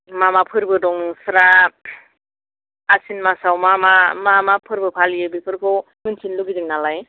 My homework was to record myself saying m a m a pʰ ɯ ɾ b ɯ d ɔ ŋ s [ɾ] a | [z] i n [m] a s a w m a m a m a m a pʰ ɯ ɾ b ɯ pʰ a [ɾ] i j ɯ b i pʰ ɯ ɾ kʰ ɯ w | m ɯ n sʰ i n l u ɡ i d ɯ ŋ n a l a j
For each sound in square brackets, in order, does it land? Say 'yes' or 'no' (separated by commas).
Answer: yes, no, yes, no